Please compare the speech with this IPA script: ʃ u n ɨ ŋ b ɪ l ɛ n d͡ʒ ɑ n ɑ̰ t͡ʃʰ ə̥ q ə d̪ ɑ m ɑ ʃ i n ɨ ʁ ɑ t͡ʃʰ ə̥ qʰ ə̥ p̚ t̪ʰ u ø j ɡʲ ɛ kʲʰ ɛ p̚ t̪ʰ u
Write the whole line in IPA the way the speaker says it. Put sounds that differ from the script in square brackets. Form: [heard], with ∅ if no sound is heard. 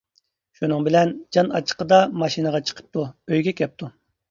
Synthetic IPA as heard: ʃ u n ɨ ŋ b ɪ l ɛ n d͡ʒ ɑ n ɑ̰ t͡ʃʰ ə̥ q ə d̪ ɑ m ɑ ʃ i n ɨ ʁ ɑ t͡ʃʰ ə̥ qʰ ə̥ p̚ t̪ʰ u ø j ɡʲ ɛ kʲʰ ɛ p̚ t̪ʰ u